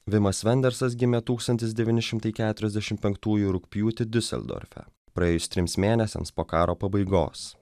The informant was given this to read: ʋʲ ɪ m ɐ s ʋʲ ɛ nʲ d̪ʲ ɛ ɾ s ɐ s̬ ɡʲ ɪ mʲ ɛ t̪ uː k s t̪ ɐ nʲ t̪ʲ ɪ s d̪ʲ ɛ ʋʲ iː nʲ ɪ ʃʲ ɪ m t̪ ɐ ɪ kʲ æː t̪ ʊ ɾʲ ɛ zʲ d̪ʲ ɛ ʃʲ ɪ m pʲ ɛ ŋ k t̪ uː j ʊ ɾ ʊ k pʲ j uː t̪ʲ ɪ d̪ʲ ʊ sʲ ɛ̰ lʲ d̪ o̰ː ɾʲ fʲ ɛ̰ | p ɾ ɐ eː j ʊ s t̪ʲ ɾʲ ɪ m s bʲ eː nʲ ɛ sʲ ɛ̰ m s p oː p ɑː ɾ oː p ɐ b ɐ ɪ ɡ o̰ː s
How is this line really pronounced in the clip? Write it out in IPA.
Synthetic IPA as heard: ʋʲ ɪ m ɐ s ʋʲ ɛ nʲ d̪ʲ ɛ ɾ s ɐ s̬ ɡʲ ɪ mʲ ɛ t̪ uː k s t̪ ɐ nʲ t̪ʲ ɪ s d̪ʲ ɛ ʋʲ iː nʲ ɪ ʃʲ ɪ m t̪ ɐ ɪ kʲ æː t̪ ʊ ɾʲ ɛ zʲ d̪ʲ ɛ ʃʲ ɪ m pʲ ɛ ŋ k t̪ uː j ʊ ɾ ʊ k pʲ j uː t̪ʲ ɪ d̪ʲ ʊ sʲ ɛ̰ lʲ d̪ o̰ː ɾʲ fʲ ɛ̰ | p ɾ ɐ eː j ʊ s t̪ʲ ɾʲ ɪ m s mʲ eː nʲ ɛ sʲ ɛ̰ m s p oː k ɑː ɾ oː p ɐ b ɐ ɪ ɡ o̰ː s